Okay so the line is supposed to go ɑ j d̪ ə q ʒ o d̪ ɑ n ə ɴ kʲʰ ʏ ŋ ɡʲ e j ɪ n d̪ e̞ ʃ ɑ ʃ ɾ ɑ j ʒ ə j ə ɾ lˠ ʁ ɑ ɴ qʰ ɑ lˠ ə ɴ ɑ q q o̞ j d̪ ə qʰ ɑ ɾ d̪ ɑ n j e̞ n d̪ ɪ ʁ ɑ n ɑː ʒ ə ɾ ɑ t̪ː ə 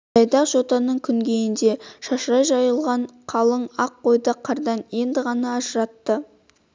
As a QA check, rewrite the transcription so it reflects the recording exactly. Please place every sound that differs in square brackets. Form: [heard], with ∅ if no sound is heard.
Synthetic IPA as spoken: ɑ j d̪ [ɑ] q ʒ o [t̪] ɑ n ə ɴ kʲʰ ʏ ŋ ɡʲ e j ɪ n d̪ e̞ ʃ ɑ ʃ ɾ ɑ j ʒ [ɑ] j ə [∅] lˠ ʁ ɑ ɴ qʰ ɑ lˠ ə ɴ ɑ q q o̞ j d̪ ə qʰ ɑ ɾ d̪ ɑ n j e̞ n d̪ ɪ ʁ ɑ n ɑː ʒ ə ɾ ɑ t̪ː ə